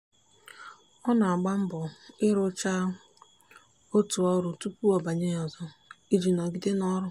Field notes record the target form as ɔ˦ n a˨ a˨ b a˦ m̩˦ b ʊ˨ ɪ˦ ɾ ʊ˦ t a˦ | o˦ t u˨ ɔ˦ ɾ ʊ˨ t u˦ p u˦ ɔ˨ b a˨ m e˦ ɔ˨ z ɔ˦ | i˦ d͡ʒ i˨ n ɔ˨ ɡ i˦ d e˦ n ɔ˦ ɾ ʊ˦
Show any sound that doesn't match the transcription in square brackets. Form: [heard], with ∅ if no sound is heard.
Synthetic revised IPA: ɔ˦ n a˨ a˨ [ɡ͡b] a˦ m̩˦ b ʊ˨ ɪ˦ ɾ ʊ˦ [t͡ʃ] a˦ | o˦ t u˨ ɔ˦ ɾ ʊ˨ t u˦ p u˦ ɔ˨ b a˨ [ɲ] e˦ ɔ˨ z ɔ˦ | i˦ d͡ʒ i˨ n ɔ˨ ɡ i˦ d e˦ n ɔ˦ ɾ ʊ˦

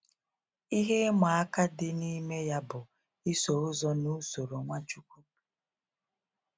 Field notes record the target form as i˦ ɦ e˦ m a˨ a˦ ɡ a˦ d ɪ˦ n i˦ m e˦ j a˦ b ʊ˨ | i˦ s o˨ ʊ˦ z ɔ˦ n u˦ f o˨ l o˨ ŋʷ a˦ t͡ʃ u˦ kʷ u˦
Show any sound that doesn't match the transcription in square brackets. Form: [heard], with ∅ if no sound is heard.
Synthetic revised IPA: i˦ ɦ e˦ m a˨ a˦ [k] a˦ d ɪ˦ n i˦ m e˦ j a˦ b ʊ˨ | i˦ s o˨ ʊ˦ z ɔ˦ n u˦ [s] o˨ [ɾ] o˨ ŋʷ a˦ t͡ʃ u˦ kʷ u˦

